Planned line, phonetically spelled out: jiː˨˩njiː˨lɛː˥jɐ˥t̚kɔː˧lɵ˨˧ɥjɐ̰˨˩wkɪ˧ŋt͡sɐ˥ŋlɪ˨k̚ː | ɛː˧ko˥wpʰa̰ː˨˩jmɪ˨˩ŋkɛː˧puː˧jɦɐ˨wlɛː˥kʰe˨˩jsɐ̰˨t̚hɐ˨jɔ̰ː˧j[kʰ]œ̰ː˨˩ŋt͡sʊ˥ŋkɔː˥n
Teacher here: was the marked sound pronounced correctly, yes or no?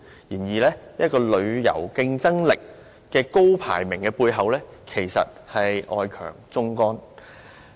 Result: yes